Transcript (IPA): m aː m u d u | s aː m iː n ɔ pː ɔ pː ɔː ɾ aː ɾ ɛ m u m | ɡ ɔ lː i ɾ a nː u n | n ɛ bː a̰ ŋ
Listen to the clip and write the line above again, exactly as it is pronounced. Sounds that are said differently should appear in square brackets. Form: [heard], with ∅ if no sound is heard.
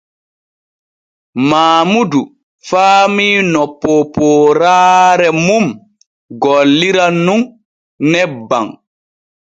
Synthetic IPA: m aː m u d u | [f] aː m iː n ɔ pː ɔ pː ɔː ɾ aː ɾ ɛ m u m | ɡ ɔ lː i ɾ a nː u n | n ɛ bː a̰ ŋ